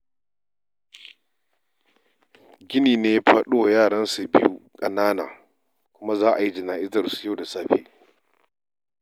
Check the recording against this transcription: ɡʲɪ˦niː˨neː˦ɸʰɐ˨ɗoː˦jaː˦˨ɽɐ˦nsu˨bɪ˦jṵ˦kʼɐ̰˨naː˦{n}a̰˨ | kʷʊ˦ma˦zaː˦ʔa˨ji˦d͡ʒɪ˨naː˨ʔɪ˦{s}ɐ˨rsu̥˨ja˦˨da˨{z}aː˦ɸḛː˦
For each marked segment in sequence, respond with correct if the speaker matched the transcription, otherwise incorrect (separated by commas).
correct, incorrect, incorrect